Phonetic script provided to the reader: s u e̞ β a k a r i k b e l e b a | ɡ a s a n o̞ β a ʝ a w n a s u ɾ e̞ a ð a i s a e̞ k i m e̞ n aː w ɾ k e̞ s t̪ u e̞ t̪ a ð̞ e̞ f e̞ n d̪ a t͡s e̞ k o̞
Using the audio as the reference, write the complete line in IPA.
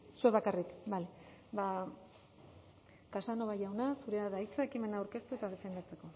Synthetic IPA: s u e̞ β a k a r i k b a l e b a | k a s a n o̞ β a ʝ a w n a s u ɾ e̞ a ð a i t͡s a e̞ k i m e̞ n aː w ɾ k e̞ s t̪ u e̞ t̪ a ð̞ e̞ f e̞ n d̪ a t͡s e̞ k o̞